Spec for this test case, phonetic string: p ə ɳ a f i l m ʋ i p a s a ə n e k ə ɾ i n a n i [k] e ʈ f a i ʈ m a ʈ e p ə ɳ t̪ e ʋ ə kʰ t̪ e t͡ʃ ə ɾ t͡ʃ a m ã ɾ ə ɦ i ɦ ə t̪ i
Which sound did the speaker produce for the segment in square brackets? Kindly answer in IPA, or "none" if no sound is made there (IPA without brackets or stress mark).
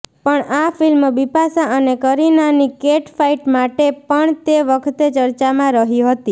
k